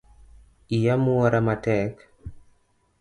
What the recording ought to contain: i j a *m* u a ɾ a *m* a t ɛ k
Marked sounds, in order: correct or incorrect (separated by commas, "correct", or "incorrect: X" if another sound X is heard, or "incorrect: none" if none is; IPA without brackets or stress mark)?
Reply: correct, correct